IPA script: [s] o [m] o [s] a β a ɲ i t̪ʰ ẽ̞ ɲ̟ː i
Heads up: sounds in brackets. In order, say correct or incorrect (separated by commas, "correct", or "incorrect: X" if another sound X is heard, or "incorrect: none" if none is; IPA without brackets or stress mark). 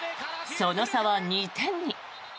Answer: correct, incorrect: n, correct